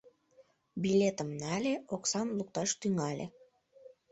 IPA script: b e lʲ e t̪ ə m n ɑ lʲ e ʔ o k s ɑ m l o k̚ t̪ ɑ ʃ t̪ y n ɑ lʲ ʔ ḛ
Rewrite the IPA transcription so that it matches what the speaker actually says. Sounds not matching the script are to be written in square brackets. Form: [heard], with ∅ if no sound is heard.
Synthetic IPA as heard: b [i] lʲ e t̪ ə m n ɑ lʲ e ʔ o k s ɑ m l [u] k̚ t̪ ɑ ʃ t̪ y [ŋ] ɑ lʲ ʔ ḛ